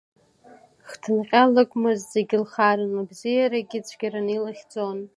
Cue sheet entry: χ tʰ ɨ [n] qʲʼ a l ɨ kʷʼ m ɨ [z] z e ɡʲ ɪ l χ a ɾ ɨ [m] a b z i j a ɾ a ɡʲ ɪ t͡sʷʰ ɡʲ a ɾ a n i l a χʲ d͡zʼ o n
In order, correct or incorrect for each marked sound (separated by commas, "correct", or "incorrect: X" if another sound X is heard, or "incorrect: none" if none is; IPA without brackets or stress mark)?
correct, correct, incorrect: n